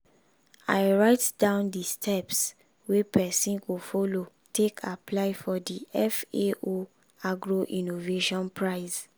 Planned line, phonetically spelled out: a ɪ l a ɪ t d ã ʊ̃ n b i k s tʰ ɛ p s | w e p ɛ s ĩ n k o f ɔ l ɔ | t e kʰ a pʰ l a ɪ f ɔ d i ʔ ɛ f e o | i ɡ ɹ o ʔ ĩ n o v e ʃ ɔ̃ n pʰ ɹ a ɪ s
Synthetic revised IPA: a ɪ ɹ a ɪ t d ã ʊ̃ n d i s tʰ ɛ p s | w e p ɛ s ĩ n k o f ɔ l o | t e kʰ a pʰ l a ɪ f ɔ d i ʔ ɛ f e o | a ɡ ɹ o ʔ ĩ n o v e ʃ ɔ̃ n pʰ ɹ a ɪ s